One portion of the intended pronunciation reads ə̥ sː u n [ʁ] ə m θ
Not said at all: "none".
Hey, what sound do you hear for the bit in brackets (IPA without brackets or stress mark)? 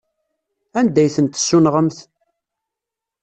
ʁ